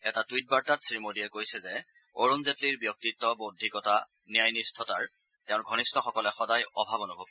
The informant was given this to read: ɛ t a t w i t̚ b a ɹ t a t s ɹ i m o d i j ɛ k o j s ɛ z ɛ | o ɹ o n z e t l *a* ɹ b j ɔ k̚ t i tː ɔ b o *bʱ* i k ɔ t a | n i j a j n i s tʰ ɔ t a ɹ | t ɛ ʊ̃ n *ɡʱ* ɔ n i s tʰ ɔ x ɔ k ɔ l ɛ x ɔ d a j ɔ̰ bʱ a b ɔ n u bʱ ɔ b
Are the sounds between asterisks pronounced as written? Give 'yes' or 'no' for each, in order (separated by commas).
no, no, yes